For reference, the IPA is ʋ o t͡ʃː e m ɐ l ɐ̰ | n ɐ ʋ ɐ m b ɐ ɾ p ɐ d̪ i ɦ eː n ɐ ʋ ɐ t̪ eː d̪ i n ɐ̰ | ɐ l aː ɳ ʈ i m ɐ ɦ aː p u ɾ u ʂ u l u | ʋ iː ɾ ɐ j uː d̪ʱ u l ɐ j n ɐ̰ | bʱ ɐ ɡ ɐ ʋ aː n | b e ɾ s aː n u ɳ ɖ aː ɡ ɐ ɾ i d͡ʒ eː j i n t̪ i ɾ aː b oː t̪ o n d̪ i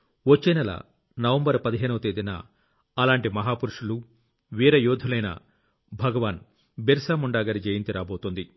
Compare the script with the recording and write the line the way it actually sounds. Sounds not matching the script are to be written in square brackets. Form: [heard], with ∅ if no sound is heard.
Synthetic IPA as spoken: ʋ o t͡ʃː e [n] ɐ l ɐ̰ | n ɐ ʋ ɐ m b ɐ ɾ p ɐ d̪ i ɦ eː n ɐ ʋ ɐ t̪ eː d̪ i n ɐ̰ | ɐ l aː ɳ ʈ i m ɐ ɦ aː p u ɾ u ʂ u l u | ʋ iː ɾ ɐ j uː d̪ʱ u l ɐ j n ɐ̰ | bʱ ɐ ɡ ɐ ʋ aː n | b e ɾ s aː [m] u ɳ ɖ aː ɡ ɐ ɾ i d͡ʒ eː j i n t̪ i ɾ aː b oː t̪ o n d̪ i